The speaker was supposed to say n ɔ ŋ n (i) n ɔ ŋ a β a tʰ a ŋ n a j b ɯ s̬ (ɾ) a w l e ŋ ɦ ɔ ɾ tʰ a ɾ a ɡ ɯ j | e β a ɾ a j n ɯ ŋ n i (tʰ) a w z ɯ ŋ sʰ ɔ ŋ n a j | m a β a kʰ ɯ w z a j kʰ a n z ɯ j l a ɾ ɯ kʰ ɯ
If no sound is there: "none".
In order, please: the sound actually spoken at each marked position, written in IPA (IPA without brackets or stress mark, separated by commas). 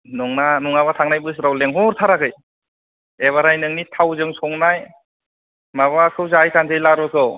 a, ɾ, tʰ